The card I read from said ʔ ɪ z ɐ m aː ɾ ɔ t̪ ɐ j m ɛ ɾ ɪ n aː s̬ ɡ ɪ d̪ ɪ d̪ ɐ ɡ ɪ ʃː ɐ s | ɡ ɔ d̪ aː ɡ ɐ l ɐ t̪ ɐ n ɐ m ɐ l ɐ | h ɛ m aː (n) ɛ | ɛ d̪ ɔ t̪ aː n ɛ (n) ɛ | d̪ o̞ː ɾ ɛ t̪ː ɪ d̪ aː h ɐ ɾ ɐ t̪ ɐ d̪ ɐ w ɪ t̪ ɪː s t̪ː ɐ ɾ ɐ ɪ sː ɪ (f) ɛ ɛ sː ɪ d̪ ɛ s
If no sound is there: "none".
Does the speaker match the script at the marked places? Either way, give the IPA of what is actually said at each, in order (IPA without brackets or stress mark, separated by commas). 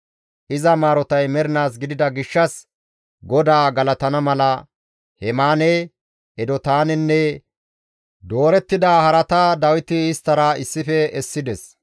n, nː, f